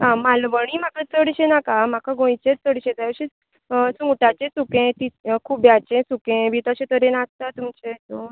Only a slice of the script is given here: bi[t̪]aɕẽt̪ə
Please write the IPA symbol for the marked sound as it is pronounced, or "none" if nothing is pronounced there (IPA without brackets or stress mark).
t̪